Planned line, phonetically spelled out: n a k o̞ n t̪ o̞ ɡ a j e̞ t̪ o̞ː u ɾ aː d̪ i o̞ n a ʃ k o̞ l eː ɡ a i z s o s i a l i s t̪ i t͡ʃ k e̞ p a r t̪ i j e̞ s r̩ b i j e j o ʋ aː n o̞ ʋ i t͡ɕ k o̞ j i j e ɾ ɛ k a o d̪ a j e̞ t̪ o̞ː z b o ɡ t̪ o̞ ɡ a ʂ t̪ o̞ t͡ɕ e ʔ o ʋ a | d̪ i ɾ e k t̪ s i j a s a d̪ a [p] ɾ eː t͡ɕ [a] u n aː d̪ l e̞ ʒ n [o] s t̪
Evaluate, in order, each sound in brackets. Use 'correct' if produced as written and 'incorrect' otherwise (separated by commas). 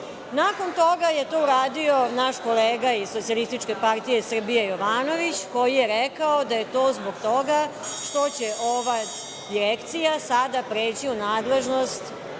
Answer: correct, incorrect, correct